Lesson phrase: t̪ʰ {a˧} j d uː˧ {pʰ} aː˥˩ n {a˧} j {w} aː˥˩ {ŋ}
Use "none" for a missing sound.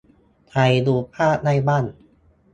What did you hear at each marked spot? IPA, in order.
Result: a˧, pʰ, a˥˩, b, n

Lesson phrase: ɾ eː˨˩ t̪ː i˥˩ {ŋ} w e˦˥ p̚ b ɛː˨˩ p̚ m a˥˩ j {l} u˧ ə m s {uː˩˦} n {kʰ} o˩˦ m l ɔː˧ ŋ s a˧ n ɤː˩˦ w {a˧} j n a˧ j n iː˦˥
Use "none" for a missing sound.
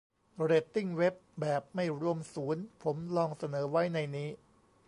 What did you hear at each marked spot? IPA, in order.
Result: ŋ, ɾ, uː˩˦, pʰ, a˦˥

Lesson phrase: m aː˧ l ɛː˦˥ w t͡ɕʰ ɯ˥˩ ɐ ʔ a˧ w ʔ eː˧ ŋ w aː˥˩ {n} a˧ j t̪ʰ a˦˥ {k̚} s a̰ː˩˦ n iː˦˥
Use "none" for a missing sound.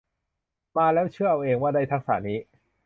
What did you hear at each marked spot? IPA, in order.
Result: d, k̚

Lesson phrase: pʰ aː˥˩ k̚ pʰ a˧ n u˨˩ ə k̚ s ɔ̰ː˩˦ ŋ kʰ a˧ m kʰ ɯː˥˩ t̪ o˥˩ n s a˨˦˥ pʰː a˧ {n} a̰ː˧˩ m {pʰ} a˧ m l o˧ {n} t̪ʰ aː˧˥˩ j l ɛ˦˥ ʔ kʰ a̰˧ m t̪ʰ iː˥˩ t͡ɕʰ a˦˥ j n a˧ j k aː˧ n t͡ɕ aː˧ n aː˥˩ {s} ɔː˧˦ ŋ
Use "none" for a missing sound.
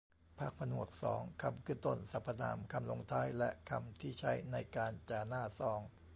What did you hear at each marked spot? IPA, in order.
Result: n, kʰ, ŋ, s

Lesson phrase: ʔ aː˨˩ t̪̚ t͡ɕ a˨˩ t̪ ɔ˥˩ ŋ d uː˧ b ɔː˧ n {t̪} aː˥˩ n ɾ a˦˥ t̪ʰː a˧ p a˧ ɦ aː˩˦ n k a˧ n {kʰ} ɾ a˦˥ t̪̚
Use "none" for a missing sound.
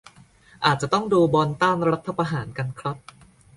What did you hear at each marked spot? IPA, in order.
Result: t̪, kʰ

